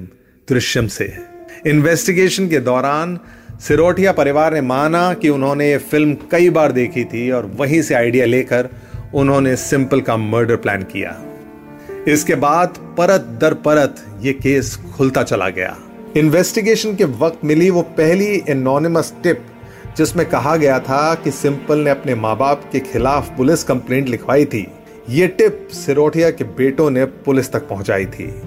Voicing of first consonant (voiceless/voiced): voiced